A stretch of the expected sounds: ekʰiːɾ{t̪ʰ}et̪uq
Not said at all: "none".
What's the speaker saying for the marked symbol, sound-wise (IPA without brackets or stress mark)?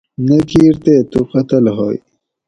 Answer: t̪